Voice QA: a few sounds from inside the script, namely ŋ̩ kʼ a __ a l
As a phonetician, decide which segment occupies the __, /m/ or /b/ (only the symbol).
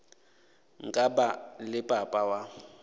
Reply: b